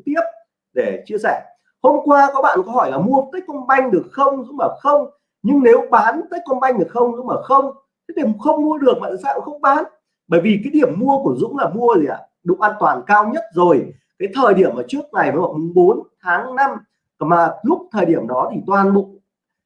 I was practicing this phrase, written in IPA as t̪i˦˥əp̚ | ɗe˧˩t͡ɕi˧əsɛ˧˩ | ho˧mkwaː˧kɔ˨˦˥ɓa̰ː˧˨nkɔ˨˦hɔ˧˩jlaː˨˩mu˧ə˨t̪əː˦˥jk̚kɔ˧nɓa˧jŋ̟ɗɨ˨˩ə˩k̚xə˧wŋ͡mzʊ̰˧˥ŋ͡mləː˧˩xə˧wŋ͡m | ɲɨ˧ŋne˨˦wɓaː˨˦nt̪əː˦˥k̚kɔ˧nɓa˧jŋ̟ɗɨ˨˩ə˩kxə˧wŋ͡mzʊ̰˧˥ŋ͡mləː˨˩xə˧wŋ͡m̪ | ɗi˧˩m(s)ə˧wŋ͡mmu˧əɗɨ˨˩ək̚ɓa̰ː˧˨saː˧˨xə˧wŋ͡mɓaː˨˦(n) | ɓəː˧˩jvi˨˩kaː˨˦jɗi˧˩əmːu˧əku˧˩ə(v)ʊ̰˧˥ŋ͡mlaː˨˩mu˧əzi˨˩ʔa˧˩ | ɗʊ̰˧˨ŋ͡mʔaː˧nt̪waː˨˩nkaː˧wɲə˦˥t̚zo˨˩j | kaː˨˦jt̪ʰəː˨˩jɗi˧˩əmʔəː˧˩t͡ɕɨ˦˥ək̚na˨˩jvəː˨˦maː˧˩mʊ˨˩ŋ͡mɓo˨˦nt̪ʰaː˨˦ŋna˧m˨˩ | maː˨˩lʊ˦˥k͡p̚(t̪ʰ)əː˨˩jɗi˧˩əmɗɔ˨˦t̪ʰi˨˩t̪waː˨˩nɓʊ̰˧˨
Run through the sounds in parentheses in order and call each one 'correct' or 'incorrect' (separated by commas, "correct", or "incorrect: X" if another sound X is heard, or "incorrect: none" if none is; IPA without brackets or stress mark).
incorrect: x, correct, incorrect: z, correct